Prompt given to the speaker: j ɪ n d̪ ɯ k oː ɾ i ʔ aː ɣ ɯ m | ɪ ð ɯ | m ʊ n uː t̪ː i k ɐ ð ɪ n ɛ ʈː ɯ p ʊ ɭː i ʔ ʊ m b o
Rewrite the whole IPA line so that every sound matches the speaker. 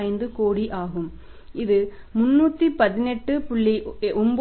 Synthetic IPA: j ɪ n d̪ ɯ k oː ɽ i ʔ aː ɣ ɯ m | ɪ ð ɯ | m ʊ nː uː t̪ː i p ɐ ð ɪ n ɛ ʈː ɯ p ʊ ɭː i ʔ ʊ m b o

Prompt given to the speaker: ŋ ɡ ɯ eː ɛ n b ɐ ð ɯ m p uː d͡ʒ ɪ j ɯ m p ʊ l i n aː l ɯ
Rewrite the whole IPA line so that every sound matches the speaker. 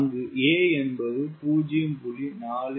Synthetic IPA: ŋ ɡ ɯ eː ɛ n b ɐ ð ɯ p uː d͡ʒ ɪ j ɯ m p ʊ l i n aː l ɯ

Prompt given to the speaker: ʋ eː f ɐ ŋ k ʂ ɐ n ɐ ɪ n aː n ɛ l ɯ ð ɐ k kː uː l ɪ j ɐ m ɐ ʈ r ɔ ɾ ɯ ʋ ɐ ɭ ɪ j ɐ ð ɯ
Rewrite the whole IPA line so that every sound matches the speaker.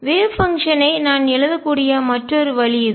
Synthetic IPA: ʋ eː f ɐ ŋ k ʂ ɐ n ɐ ɪ n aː n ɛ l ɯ ð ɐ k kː uː ɽ ɪ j ɐ m ɐ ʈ r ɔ ɾ ɯ ʋ ɐ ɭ ɪ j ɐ ð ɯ

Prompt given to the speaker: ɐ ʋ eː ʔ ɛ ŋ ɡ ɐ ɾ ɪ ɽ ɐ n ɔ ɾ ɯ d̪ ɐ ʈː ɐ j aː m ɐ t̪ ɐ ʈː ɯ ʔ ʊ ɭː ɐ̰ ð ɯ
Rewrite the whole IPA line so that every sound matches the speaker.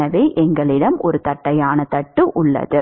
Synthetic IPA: ɐ ʋ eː ʔ ɛ ŋ ɡ ɐ ɭ ɪ ɽ ɐ m ɔ ɾ ɯ t̪ ɐ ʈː ɐ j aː n ɐ t̪ ɐ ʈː ɯ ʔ ʊ ɭː ɐ̰ ð ɯ

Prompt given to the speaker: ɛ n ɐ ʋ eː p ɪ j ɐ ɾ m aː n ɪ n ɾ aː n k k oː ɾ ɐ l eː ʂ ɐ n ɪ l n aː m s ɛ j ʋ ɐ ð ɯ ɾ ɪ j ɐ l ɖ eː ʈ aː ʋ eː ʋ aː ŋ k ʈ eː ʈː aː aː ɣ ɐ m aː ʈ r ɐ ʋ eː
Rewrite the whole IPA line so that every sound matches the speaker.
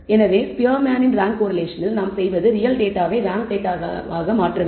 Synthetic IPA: ɛ n ɐ ʋ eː p ɪ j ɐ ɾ m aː n ɪ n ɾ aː ŋ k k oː ɾ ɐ l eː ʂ ɐ n ɪ l n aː m s ɛ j ʋ ɐ ð ɯ ɾ ɪ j ɐ l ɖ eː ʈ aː ʋ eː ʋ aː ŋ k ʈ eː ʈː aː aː ɣ ɐ m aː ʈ r ɐ ʋ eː

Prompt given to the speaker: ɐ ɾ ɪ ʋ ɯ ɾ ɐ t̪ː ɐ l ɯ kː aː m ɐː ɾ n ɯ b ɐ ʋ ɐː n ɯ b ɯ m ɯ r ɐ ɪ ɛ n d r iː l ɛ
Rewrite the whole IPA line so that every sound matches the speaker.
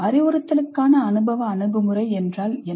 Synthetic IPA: ɐ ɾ ɪ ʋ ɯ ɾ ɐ t̪ː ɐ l ɯ kː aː n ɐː n ɯ b ɐ ʋ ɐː n ɯ b ɯ m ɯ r ɐ ɪ ɛ n d r aː l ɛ

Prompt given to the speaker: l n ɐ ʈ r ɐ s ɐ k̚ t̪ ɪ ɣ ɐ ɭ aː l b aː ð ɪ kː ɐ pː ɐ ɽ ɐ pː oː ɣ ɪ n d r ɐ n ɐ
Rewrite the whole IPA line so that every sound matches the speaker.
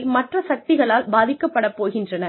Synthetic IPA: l m ɐ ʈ r ɐ s ɐ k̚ t̪ ɪ ɣ ɐ ɭ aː l b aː ð ɪ kː ɐ pː ɐ ɽ ɐ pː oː ɣ ɪ n d r ɐ n ɐ

